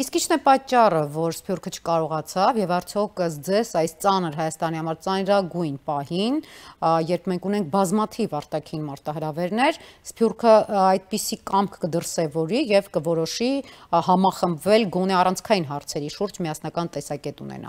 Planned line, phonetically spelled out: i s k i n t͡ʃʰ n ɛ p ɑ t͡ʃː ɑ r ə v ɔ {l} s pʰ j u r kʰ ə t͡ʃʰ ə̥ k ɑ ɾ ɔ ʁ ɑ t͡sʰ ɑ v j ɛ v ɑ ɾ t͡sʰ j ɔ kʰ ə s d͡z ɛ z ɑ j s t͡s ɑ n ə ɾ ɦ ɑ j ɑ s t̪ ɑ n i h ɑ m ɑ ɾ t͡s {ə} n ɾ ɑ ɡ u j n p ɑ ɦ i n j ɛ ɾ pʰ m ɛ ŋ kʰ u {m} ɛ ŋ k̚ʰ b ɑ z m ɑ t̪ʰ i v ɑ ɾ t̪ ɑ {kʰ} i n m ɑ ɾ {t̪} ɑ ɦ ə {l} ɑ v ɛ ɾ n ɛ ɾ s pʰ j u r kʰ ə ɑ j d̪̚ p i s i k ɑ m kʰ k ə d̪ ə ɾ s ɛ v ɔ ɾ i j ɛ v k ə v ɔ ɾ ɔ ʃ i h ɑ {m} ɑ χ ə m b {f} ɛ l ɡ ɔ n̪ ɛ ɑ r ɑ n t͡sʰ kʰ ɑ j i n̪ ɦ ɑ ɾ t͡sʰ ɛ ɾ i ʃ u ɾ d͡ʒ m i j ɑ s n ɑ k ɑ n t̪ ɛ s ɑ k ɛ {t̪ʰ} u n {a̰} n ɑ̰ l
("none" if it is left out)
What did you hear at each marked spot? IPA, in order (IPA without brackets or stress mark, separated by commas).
ɾ, ɑ, n, kʰ, t̪, ɾ, m, v, t̪, ɛ̰